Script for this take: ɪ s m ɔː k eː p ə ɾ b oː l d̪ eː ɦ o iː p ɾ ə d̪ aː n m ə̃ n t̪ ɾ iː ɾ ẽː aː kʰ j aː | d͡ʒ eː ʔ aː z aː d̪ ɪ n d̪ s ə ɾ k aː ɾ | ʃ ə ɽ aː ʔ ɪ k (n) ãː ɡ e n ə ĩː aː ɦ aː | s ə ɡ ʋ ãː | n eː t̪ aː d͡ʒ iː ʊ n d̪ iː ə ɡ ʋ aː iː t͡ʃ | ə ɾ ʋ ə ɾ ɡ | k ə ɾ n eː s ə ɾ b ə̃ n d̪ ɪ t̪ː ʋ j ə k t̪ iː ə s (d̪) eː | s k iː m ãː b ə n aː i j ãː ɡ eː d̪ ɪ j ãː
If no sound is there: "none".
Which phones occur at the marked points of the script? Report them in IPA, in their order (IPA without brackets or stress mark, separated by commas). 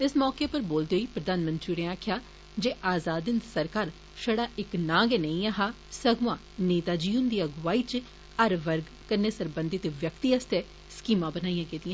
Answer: n, t̪